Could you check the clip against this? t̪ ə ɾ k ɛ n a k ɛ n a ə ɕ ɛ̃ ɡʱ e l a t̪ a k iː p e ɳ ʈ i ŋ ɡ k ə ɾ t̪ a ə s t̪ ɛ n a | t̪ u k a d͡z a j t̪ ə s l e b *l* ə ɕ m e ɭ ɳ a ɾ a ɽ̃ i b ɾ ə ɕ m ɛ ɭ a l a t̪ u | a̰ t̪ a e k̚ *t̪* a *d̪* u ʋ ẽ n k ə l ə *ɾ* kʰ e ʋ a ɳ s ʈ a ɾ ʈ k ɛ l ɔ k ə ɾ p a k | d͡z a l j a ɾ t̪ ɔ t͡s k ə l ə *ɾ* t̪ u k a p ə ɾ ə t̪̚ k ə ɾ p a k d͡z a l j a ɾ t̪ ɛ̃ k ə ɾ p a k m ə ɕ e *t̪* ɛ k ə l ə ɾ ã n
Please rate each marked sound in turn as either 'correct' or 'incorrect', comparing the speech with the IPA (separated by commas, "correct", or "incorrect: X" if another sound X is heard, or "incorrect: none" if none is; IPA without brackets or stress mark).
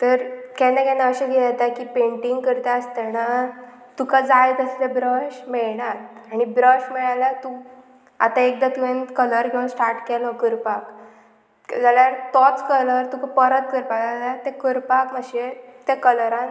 incorrect: ɾ, incorrect: d̪, incorrect: t̪, correct, correct, correct